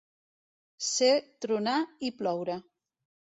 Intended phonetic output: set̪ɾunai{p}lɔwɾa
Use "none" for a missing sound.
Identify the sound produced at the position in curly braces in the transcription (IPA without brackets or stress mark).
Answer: p